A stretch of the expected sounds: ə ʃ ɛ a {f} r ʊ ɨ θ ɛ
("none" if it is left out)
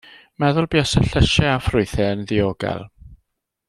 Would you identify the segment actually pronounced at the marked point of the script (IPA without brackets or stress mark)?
f